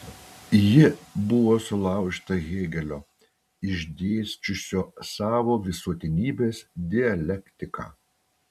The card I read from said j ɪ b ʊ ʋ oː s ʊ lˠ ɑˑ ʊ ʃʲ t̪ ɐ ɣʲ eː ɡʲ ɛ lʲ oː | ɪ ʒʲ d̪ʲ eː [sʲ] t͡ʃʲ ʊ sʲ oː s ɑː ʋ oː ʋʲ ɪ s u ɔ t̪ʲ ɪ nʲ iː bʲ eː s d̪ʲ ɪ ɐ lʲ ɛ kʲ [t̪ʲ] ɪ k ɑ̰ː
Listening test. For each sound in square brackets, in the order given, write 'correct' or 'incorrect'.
correct, correct

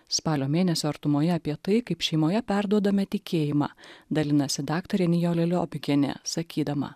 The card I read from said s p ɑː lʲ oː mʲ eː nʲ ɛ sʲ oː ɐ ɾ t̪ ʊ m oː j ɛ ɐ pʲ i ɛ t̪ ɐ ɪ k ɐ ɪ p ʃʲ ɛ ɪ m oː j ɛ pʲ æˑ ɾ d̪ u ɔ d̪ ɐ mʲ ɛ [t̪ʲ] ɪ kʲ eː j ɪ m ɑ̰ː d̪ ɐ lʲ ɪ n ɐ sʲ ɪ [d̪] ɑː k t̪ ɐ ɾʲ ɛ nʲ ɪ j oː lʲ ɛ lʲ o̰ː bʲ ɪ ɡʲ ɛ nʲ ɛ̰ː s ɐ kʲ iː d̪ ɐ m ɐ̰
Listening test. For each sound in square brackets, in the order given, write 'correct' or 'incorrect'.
correct, correct

